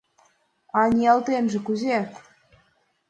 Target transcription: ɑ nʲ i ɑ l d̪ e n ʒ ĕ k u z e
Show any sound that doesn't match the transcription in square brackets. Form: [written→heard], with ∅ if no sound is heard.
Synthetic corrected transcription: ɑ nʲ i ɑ l [d̪→t̪] e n ʒ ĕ k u z e

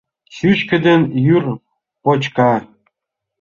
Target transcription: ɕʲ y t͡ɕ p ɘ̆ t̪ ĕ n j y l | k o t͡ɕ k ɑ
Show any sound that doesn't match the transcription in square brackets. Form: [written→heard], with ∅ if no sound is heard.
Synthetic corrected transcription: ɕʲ y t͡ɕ [p→k] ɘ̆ [t̪→d̪] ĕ n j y [l→r] | [k→p] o t͡ɕ k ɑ

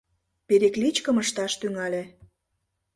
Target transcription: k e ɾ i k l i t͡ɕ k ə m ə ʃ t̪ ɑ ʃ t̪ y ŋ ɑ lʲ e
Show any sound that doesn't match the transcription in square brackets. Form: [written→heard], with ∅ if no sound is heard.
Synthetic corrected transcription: [k→p] e ɾ [i→e] k l i t͡ɕ k ə m ə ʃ t̪ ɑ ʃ t̪ y ŋ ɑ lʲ e

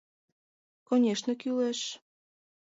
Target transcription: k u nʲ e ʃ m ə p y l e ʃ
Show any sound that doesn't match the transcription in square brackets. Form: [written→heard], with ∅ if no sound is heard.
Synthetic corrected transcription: k [u→o] nʲ e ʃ [m→n] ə [p→k] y l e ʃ

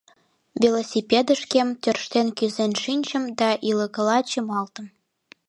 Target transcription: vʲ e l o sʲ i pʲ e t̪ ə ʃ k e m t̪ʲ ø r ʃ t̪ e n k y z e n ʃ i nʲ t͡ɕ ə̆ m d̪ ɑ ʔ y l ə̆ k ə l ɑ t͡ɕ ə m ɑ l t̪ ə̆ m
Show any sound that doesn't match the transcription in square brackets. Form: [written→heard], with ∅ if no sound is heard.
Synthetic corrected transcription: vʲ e l o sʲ i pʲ e [t̪→d̪] ə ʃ k e m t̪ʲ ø r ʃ t̪ e n k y z e n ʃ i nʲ t͡ɕ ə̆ m d̪ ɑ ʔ [y→i] l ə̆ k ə l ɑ t͡ɕ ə m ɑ l t̪ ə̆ m

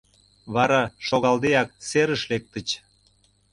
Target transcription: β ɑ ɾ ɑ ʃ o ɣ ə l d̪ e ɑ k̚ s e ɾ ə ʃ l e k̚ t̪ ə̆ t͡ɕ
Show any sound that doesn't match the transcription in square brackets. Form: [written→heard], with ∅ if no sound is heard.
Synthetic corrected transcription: β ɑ ɾ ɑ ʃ o ɣ [ə→ɑ] l d̪ e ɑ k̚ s e ɾ ə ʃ l e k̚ t̪ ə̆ t͡ɕ

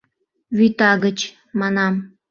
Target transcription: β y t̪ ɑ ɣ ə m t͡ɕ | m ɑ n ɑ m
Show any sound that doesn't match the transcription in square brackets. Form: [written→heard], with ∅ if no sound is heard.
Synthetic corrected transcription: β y t̪ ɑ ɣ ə [m→∅] t͡ɕ | m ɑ n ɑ m

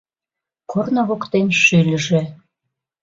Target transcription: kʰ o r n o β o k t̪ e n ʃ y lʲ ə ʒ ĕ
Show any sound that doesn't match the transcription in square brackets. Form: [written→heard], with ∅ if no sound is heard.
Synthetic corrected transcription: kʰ o r n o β o k t̪ e n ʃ y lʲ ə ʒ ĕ

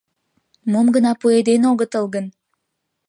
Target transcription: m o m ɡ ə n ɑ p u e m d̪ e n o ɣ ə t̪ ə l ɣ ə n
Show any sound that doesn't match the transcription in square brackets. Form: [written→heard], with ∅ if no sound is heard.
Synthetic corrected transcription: m o m ɡ ə n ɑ p u e [m→∅] d̪ e n o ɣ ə t̪ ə l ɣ ə n

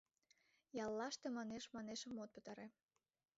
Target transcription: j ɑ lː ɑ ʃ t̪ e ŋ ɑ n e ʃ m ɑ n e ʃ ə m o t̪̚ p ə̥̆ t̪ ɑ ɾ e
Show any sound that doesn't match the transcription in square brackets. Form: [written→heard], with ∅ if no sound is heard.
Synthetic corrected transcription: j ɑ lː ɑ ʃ t̪ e [ŋ→m] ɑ n e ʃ m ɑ n e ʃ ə m o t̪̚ p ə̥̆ t̪ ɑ ɾ e

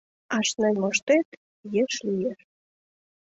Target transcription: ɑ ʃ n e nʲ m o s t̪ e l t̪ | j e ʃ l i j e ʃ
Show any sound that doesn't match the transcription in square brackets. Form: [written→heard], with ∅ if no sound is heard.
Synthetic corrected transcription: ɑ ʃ n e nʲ m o [s→ʃ] t̪ e [l→∅] t̪ | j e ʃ l i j e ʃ

